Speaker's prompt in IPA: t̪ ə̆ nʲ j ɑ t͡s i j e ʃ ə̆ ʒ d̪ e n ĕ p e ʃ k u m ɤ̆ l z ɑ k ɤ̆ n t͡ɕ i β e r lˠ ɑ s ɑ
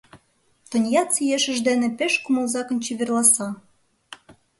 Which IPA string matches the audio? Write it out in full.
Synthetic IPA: t̪ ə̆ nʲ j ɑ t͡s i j e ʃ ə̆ ʒ d̪ e n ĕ p e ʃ k u m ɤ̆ l z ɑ k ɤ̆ n t͡ɕ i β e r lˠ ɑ s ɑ

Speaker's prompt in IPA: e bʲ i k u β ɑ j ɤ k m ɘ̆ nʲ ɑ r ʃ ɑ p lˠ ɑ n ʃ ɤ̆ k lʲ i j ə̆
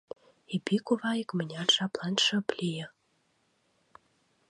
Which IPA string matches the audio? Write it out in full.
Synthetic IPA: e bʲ i k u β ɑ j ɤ k m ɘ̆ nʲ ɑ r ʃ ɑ p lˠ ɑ n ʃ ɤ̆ p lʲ i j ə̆

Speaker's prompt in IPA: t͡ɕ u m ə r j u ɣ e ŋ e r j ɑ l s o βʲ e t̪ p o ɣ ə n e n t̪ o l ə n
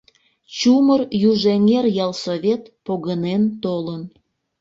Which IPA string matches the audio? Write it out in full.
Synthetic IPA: t͡ɕ u m ə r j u ʒ e ŋ e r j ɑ l s o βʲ e t̪ p o ɣ ə n e n t̪ o l ə n

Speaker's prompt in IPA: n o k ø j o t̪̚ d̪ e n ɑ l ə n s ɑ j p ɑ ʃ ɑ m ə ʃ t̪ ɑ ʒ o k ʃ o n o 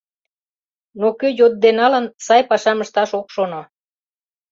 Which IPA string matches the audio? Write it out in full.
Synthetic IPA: n o k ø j o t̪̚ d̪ e n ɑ l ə n s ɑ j p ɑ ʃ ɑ m ə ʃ t̪ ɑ ʃ o k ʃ o n o

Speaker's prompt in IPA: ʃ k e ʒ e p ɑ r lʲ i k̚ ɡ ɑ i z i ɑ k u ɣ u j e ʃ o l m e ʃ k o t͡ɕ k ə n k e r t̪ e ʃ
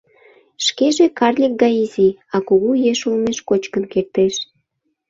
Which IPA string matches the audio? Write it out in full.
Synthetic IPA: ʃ k e ʒ e k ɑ r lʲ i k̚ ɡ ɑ i z i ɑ k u ɣ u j e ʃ u l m e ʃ k o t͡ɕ k ə n k e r t̪ e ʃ

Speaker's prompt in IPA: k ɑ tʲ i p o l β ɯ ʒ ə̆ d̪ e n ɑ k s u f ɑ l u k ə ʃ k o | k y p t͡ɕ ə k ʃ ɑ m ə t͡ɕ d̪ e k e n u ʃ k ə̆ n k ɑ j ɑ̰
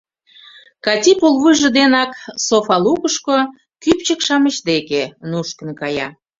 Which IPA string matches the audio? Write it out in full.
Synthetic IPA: k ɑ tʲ i p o l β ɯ ʒ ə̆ d̪ e n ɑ k s o f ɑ l u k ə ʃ k o | k y p t͡ɕ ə k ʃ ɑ m ə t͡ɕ d̪ e k e n u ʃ k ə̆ n k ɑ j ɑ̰

